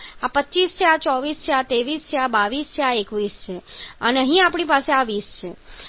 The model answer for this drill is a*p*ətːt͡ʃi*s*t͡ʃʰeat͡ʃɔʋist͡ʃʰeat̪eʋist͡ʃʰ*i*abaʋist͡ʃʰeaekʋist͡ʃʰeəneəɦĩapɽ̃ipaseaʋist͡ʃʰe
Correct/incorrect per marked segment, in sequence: correct, correct, incorrect: e

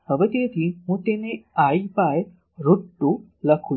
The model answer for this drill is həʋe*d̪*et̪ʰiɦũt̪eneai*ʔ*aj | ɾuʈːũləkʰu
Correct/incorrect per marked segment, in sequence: incorrect: t̪, incorrect: p

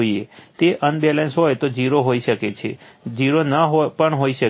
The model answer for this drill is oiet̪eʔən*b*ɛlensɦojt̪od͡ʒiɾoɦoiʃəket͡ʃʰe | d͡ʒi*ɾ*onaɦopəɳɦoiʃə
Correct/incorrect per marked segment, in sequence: correct, correct

